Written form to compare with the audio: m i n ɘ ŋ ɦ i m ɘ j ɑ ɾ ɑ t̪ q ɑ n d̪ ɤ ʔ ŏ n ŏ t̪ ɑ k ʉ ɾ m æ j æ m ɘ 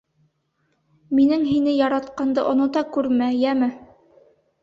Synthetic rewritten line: m i n ɘ ŋ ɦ i n ɘ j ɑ ɾ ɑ t̪ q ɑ n d̪ ɤ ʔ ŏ n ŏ t̪ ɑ k ʉ ɾ m æ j æ m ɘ